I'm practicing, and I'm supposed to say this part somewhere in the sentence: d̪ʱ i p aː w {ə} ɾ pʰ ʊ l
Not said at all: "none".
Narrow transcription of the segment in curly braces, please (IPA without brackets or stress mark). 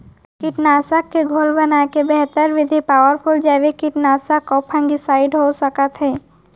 ə